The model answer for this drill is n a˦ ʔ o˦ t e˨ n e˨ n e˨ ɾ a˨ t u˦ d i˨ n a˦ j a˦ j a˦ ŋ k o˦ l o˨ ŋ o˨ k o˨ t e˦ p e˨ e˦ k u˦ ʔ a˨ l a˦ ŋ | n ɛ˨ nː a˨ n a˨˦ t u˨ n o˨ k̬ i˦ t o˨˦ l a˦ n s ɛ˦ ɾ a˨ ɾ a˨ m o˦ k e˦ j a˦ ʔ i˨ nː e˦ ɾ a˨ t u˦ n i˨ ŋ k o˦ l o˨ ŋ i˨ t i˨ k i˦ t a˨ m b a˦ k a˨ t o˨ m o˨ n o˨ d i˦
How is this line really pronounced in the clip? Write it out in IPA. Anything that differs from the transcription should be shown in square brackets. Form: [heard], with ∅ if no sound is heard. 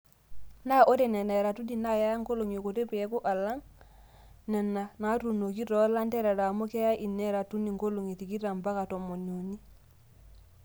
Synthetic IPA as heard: n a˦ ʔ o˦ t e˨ n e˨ n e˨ ɾ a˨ t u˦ d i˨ n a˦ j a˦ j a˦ ŋ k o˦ l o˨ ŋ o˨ k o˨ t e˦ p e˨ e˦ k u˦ ʔ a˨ l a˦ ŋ | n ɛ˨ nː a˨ n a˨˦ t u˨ n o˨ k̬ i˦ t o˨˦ l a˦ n [t] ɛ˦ ɾ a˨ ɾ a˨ m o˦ k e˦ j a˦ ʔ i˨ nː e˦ ɾ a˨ t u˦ n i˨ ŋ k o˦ l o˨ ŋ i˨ t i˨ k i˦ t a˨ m b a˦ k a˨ t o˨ m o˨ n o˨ [n] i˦

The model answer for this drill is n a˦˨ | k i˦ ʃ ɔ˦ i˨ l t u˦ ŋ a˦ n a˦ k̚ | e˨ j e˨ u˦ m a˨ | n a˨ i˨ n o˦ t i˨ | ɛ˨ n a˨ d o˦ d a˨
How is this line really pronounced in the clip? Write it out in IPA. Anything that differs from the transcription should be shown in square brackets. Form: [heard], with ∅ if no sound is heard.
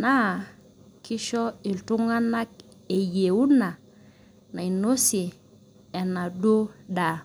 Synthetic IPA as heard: n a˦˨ | k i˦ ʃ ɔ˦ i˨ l t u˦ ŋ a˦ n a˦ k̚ | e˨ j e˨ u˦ [n] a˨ | n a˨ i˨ n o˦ [s] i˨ | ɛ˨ n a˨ d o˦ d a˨

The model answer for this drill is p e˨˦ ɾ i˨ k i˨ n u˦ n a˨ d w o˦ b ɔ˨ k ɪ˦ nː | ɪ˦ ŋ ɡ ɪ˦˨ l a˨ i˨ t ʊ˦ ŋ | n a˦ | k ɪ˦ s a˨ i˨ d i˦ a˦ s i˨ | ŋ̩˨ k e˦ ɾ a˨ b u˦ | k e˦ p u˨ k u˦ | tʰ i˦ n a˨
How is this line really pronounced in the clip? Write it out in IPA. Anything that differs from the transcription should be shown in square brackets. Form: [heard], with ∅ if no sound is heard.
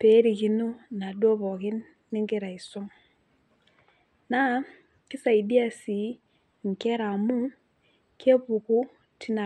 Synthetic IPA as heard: p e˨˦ ɾ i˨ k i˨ n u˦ n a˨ d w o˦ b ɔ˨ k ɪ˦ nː | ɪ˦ ŋ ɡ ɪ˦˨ [ɾ] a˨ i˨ [s] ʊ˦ ŋ | n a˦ | k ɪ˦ s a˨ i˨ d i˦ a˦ s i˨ | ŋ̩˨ k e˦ ɾ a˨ [m] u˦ | k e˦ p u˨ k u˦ | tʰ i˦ n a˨

